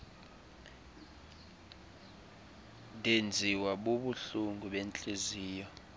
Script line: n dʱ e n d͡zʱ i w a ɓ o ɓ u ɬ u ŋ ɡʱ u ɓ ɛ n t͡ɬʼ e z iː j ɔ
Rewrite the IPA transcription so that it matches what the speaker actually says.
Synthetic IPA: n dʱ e n d͡zʱ i w a ɓ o ɓ u ɬ u ŋ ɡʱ u ɓ ɛ n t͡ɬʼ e z iː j ɔ